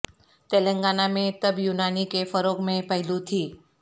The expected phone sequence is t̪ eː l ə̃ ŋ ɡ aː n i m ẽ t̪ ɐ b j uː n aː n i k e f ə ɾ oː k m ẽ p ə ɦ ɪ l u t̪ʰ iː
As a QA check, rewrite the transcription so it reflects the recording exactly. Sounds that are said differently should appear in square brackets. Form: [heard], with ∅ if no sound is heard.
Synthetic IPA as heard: t̪ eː l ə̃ ŋ ɡ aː n [a] m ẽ t̪ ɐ b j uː n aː n i k e f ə ɾ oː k m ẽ p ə ɦ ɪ l u t̪ʰ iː